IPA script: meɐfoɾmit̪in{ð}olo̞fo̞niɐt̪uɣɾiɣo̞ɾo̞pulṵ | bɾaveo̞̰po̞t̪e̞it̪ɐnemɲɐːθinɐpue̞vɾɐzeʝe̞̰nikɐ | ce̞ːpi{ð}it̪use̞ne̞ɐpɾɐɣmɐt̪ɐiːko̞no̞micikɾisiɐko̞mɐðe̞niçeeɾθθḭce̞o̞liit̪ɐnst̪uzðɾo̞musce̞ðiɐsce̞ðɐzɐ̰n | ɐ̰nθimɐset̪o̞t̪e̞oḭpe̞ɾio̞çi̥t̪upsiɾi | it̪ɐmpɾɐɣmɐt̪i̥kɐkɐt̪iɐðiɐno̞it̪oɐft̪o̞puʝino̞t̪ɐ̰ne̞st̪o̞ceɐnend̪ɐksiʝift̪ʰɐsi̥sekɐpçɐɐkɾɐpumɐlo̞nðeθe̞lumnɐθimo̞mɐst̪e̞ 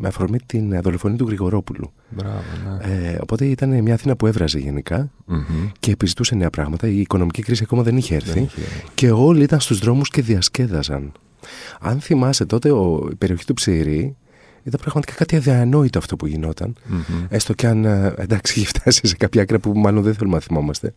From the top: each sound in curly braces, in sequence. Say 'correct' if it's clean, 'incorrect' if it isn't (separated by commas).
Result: correct, incorrect